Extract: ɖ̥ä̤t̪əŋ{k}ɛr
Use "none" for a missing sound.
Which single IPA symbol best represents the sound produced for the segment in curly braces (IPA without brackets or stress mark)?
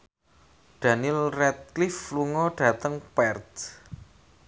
p